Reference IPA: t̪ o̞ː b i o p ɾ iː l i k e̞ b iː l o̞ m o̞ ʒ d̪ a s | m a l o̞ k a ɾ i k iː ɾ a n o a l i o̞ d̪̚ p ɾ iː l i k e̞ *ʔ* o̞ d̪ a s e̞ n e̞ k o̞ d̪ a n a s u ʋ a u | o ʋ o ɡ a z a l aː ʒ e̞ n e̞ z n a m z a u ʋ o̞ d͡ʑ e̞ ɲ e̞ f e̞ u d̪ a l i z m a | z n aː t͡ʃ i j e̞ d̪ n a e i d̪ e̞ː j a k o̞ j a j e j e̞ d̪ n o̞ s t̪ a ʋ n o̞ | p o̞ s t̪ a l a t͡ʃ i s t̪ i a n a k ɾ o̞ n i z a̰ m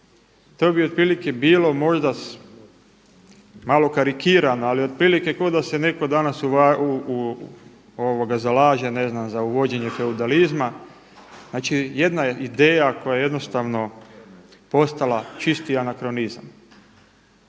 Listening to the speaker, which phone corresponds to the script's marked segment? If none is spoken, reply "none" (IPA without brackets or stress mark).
k